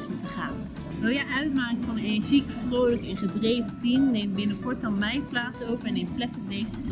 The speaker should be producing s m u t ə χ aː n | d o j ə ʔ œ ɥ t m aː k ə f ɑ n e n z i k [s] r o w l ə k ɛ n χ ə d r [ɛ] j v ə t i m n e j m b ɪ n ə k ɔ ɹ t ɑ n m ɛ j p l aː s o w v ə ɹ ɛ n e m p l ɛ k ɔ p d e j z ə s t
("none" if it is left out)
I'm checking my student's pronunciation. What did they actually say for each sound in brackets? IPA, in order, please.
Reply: f, e

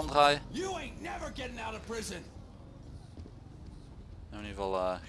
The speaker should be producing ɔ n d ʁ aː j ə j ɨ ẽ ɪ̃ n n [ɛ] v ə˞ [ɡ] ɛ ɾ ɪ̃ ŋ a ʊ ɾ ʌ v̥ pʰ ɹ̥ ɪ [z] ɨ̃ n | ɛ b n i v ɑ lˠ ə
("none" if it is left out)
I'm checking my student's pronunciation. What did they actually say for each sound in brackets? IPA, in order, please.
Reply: ɛ, ɡ, z

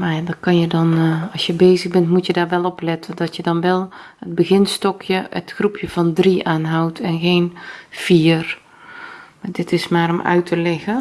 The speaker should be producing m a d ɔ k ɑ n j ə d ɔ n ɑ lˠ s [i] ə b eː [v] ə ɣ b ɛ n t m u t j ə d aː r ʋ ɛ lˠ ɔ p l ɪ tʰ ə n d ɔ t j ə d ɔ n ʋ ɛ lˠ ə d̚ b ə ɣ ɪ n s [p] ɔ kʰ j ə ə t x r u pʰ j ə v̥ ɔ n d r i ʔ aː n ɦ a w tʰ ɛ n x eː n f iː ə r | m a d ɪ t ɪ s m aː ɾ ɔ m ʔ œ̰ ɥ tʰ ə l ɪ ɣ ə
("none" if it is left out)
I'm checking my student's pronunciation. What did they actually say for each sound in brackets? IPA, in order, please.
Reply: j, z, t

